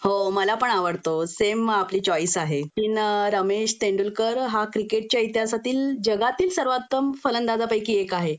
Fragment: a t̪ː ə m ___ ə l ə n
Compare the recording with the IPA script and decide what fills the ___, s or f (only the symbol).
f